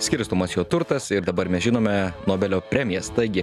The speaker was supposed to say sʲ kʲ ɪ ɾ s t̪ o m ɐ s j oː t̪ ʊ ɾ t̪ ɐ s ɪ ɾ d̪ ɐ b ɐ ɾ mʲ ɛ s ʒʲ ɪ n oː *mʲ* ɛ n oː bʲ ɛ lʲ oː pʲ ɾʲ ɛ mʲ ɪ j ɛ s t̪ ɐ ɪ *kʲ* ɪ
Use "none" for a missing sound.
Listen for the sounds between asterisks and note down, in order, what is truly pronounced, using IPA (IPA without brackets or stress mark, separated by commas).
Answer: mʲ, ɡʲ